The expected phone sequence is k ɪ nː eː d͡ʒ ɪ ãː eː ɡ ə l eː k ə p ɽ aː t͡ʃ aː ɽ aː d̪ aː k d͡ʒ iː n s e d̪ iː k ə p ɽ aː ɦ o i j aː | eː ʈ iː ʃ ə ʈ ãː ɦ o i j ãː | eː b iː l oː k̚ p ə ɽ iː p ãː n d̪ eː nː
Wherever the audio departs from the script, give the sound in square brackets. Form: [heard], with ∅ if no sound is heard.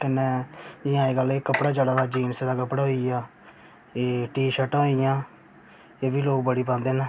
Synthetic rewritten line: k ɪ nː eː d͡ʒ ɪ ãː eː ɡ ə l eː k ə p ɽ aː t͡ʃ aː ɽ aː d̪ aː [∅] d͡ʒ iː n s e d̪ [aː] k ə p ɽ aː ɦ o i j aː | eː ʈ iː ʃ ə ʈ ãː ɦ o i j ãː | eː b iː l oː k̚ [b] ə ɽ iː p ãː n d̪ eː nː